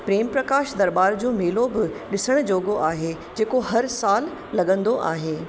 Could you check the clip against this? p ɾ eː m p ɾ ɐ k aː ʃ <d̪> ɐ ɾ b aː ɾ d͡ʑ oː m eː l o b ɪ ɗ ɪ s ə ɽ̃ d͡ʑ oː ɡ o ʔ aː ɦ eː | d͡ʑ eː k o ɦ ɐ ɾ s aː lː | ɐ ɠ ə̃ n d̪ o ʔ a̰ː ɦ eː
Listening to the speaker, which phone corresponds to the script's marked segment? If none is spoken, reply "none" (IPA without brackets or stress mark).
d̪